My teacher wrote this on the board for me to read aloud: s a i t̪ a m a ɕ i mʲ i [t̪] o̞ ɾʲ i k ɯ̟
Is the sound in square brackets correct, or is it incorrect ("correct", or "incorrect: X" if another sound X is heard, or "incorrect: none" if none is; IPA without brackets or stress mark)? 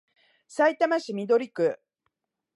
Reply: incorrect: d̪